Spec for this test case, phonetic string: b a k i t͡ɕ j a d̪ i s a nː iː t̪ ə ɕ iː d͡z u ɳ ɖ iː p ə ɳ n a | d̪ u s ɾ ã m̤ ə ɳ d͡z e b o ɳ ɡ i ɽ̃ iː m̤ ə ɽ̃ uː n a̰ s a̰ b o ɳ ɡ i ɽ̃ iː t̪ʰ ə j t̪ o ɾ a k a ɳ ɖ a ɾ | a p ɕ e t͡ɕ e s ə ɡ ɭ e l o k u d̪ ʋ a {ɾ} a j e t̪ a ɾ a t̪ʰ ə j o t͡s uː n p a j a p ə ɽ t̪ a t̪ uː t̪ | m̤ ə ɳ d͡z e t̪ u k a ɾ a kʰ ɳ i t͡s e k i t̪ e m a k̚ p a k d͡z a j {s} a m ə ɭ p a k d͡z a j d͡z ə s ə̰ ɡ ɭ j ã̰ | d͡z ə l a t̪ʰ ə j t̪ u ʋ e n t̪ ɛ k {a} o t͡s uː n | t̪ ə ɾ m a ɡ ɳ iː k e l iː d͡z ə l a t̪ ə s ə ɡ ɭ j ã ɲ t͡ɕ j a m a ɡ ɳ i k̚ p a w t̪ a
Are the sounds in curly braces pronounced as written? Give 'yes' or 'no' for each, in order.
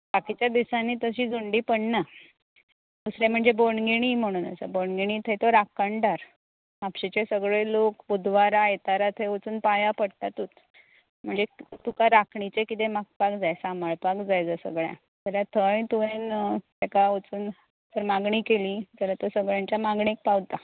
yes, yes, yes

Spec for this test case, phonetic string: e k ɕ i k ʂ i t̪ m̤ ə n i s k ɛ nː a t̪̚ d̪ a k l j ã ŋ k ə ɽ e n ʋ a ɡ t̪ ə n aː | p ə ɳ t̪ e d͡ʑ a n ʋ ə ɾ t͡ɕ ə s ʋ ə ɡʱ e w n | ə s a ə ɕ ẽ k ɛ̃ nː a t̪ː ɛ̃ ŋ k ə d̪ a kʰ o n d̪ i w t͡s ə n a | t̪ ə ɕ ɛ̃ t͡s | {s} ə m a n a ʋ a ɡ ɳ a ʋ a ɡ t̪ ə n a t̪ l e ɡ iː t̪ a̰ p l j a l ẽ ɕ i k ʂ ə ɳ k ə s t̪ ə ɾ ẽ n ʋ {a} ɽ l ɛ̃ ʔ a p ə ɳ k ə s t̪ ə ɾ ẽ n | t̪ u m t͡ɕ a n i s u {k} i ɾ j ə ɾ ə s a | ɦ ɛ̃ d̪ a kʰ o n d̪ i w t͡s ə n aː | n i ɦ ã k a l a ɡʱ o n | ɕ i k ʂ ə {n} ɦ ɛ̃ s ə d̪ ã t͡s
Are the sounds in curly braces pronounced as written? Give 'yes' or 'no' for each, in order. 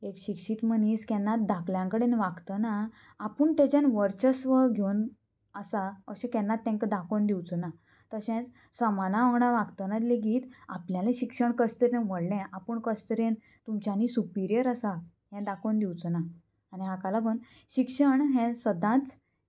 yes, no, no, no

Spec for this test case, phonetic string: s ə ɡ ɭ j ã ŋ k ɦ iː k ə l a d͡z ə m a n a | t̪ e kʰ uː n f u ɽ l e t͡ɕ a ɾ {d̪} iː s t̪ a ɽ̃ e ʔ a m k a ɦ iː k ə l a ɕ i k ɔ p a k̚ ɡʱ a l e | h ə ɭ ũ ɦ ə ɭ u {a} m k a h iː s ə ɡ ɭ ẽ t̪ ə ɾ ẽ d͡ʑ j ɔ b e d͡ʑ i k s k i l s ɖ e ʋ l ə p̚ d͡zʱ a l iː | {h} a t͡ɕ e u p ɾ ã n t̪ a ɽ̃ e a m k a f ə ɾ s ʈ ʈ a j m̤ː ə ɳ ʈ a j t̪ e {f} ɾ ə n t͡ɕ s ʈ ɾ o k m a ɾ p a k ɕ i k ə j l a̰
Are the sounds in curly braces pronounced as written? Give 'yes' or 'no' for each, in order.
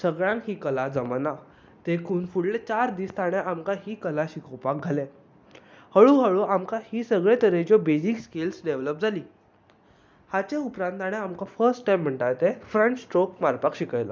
yes, yes, yes, yes

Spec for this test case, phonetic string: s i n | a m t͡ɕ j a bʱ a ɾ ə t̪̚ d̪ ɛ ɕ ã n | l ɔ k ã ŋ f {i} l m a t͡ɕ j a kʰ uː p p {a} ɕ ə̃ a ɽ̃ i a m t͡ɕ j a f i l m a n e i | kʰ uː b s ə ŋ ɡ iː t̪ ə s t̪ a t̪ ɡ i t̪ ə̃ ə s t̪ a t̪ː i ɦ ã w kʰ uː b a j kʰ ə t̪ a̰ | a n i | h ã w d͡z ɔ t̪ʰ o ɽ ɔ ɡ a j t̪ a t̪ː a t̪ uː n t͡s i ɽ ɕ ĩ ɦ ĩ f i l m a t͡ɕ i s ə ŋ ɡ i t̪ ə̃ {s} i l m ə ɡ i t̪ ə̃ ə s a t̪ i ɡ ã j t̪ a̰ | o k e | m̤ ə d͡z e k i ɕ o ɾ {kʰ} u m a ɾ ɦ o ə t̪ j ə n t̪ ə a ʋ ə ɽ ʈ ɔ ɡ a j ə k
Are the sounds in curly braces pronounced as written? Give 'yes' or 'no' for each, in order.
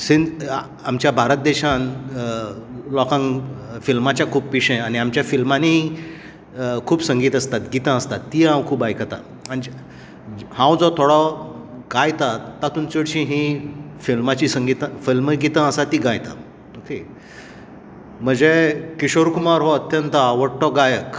yes, no, no, no

